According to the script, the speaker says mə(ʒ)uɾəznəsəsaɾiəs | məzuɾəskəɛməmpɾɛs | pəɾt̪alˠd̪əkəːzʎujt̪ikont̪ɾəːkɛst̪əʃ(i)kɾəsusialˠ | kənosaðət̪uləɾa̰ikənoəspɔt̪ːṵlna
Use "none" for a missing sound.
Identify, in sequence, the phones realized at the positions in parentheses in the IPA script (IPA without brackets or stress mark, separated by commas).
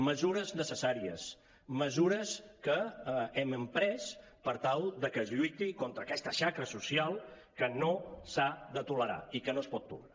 z, a